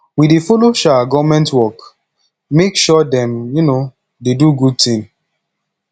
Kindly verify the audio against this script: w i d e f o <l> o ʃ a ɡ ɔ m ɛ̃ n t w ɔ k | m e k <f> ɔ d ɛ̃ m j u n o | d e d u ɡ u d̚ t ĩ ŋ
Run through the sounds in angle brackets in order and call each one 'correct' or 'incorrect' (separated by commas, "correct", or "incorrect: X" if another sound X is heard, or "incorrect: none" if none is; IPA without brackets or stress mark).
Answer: correct, incorrect: ʃ